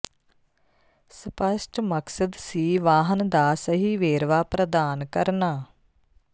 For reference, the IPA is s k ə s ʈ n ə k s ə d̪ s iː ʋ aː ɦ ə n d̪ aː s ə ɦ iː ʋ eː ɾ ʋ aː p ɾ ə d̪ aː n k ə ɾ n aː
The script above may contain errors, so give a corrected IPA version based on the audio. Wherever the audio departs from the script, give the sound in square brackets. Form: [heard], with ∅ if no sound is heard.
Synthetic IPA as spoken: s [p] ə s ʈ [m] ə k s ə d̪ s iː ʋ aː ɦ ə n d̪ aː s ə ɦ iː ʋ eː ɾ ʋ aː p ɾ ə d̪ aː n k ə ɾ n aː